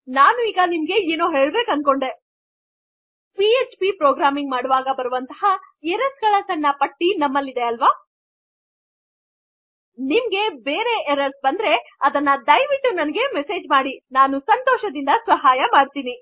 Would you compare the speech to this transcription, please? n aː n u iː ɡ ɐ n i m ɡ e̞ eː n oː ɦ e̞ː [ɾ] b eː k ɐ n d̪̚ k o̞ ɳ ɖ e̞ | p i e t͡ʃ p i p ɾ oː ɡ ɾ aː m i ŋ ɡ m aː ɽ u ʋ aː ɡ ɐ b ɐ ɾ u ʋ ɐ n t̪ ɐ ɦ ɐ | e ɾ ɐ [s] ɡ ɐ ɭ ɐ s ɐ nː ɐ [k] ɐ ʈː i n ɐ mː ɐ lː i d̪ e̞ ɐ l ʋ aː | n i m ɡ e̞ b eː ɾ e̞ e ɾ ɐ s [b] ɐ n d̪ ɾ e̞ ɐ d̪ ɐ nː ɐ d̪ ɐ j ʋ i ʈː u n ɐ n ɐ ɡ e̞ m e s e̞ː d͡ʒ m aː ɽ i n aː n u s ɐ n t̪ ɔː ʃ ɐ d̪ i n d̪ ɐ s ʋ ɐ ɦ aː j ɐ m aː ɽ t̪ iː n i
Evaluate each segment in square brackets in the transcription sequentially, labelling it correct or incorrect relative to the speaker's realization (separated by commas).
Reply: incorrect, correct, incorrect, correct